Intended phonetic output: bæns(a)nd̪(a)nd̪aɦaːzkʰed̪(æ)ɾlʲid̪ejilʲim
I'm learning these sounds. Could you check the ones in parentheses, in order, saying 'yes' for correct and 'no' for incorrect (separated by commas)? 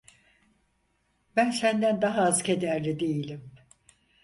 no, no, yes